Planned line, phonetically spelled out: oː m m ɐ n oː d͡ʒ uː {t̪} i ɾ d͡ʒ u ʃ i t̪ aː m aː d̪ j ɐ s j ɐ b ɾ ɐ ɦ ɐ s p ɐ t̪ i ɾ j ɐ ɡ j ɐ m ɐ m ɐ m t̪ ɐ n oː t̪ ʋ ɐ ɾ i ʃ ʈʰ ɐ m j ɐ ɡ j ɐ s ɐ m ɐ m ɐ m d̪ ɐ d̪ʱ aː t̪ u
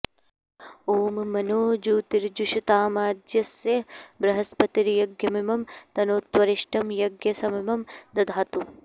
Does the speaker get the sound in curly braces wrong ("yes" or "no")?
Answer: no